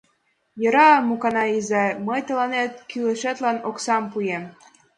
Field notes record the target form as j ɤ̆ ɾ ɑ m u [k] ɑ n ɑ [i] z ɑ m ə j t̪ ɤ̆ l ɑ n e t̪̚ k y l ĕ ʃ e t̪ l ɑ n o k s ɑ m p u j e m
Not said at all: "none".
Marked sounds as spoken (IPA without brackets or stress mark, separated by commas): k, i